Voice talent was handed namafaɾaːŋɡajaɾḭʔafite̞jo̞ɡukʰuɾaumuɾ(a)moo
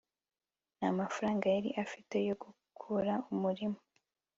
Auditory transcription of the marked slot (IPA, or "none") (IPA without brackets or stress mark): i